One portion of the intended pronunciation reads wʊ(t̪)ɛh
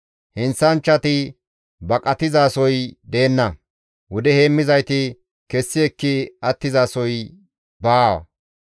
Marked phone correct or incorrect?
incorrect